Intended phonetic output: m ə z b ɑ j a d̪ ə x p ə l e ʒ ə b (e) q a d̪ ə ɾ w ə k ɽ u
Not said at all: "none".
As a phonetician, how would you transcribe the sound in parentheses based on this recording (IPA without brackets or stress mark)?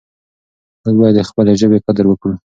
e